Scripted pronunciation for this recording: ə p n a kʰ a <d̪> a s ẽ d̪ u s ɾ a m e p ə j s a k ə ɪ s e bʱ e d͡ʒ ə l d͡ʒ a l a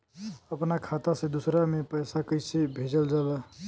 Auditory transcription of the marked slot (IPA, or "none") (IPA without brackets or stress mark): t̪